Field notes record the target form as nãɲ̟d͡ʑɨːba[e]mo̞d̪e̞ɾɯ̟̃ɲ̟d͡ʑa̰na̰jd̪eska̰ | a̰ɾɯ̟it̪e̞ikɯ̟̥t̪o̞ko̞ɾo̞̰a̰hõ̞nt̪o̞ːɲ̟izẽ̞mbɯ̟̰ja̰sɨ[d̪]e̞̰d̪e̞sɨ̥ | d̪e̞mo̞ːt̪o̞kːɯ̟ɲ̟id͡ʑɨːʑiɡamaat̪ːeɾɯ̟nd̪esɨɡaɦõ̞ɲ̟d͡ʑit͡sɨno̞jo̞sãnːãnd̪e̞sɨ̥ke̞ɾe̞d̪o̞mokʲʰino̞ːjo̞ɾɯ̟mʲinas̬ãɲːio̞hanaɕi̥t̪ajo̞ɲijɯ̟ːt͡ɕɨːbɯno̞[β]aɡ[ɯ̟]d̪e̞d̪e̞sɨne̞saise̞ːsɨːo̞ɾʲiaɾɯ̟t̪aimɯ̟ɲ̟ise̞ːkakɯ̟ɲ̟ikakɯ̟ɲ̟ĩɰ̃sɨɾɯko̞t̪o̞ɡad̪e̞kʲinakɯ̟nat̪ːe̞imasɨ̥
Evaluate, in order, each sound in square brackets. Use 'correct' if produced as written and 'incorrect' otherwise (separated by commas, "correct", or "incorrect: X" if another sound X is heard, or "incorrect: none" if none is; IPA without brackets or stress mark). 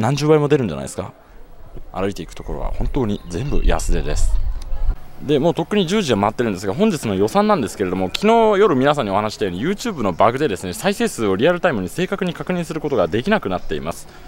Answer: incorrect: i, correct, incorrect: b, correct